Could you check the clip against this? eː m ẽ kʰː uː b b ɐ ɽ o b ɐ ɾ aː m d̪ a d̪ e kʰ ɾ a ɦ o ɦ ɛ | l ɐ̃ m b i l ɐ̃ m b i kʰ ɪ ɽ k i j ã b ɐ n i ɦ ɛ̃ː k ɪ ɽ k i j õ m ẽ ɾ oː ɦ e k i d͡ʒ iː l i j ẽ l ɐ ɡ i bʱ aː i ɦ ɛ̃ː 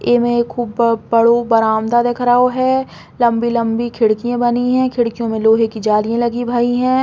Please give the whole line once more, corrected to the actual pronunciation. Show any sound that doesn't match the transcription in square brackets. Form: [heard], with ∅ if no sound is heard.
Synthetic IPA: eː m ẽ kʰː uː b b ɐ ɽ o b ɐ ɾ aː m d̪ a d̪ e kʰ ɾ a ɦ o ɦ ɛ | l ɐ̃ m b i l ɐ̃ m b i kʰ ɪ ɽ k i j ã b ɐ n i ɦ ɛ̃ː [kʰ] ɪ ɽ k i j õ m ẽ [l] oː ɦ e k i d͡ʒ [aː] l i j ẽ l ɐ ɡ i bʱ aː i ɦ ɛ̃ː